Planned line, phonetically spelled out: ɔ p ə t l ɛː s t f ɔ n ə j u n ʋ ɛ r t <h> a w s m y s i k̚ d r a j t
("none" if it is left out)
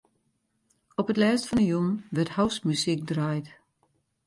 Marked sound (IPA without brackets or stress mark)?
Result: h